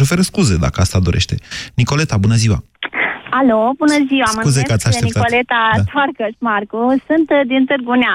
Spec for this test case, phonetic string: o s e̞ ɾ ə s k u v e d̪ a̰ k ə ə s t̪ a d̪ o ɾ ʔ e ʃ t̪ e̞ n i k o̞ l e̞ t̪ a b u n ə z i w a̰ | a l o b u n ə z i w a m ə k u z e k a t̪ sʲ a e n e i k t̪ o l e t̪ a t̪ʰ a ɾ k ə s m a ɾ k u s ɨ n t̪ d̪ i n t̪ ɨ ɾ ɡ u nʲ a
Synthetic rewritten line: o f e̞ ɾ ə s k u z e d̪ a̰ k ə a s t̪ a d̪ o ɾ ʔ e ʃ t̪ e̞ n i k o̞ l e̞ t̪ a b u n ə z i w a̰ | a l o b u n ə z i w a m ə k u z e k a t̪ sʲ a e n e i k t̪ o l e t̪ a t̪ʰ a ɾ k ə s m a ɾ k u s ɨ n t̪ d̪ i n t̪ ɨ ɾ ɡ u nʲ a